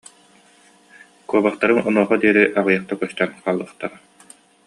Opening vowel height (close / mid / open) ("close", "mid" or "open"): close